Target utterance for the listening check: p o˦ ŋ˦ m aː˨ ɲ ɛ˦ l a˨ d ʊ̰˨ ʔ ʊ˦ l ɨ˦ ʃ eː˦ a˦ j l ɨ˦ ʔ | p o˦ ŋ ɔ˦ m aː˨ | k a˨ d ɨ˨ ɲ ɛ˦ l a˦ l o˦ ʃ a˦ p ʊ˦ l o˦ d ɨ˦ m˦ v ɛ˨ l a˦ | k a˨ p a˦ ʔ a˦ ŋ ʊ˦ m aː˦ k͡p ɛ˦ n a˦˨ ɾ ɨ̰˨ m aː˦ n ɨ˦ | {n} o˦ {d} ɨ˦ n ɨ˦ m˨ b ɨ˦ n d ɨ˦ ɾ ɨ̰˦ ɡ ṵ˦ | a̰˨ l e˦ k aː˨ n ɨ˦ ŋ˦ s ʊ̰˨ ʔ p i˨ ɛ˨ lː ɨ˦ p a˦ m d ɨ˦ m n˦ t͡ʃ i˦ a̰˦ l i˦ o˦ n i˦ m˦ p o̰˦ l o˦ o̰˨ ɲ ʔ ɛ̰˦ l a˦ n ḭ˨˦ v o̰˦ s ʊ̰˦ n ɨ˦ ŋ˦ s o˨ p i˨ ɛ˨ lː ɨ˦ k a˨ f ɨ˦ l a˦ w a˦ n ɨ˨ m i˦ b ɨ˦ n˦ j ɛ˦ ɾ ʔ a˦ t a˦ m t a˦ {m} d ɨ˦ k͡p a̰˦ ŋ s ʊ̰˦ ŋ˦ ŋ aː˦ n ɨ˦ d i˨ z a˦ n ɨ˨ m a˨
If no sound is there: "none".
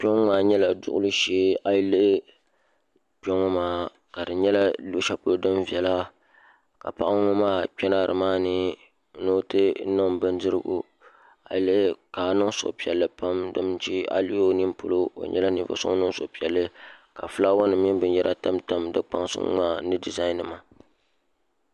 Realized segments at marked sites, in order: n, t, m

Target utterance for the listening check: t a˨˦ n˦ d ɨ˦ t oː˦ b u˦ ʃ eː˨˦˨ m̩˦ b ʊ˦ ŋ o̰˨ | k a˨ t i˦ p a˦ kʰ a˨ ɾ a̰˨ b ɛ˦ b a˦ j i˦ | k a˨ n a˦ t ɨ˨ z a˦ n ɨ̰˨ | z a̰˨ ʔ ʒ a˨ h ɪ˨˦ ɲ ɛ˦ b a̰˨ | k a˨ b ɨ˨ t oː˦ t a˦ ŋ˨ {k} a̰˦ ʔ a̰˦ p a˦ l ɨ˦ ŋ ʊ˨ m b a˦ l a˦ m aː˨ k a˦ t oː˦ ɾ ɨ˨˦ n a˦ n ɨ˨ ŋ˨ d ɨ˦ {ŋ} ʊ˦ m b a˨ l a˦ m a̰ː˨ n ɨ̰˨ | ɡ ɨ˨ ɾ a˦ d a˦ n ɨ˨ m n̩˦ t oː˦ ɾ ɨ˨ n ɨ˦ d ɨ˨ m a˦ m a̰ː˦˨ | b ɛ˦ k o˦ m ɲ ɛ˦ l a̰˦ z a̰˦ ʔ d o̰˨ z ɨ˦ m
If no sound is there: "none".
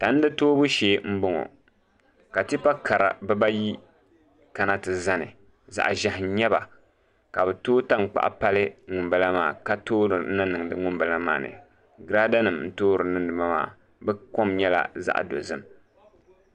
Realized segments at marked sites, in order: k͡p, ŋ

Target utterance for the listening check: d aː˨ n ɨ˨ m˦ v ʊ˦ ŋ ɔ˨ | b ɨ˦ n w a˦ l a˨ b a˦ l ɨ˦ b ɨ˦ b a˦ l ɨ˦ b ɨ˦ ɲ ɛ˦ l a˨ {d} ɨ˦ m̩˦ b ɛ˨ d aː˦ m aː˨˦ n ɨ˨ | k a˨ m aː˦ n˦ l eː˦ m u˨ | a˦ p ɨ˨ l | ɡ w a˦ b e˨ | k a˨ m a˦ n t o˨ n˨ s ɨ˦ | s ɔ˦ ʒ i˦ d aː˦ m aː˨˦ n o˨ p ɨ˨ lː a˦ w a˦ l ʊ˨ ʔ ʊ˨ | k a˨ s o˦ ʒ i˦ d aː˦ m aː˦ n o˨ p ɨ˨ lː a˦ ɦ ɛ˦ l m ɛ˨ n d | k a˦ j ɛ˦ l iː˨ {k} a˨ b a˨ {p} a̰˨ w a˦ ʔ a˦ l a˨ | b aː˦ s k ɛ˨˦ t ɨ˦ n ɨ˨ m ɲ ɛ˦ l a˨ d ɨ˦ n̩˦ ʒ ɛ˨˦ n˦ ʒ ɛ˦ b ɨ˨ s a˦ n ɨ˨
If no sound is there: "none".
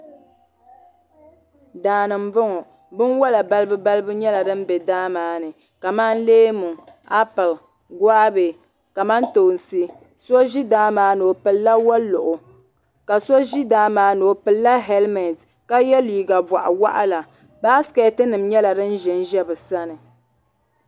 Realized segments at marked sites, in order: d, ɡ, ʔ

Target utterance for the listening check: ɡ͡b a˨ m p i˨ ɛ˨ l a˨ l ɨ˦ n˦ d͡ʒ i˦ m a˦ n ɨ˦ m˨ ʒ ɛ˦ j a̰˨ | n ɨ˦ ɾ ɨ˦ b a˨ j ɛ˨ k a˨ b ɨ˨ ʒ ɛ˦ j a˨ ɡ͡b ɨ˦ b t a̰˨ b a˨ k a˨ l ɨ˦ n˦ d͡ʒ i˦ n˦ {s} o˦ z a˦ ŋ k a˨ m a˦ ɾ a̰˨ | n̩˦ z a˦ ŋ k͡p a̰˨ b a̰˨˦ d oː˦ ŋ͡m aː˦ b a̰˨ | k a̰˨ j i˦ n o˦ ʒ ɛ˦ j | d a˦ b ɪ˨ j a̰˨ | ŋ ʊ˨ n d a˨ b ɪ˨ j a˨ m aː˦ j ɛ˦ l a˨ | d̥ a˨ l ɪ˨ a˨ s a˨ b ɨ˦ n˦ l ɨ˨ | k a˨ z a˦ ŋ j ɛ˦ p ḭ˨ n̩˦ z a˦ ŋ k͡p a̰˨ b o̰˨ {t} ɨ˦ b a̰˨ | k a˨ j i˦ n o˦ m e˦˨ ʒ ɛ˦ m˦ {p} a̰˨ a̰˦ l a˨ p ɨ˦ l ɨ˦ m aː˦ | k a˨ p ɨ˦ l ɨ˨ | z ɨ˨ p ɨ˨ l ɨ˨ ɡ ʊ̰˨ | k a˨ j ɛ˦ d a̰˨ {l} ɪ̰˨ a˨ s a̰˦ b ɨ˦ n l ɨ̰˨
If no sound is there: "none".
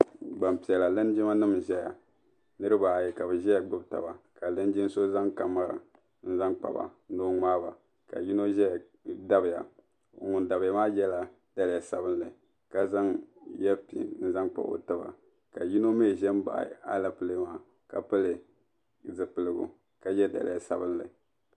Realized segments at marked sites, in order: s, t, b, l

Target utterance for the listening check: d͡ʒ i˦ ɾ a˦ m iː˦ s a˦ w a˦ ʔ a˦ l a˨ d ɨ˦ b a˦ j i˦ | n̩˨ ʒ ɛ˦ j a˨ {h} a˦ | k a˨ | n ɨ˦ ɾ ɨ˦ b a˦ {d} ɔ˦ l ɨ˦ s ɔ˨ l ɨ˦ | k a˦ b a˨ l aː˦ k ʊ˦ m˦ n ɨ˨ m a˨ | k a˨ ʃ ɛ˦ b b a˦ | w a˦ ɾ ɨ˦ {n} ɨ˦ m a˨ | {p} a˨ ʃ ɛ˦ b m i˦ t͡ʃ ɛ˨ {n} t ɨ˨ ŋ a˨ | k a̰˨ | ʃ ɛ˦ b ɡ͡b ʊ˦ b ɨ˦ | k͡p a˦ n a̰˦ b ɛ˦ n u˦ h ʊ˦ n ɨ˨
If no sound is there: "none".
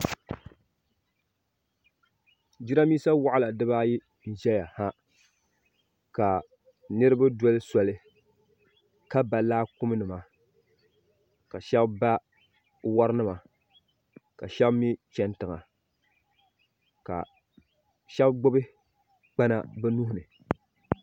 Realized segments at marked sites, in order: h, d, n, k, n

